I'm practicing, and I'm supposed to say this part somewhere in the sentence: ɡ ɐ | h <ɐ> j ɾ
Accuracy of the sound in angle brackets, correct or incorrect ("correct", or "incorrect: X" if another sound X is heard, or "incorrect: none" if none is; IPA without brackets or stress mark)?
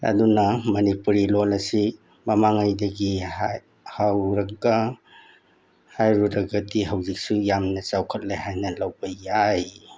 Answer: incorrect: a